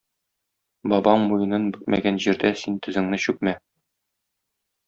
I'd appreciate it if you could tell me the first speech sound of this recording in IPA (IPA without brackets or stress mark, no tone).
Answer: b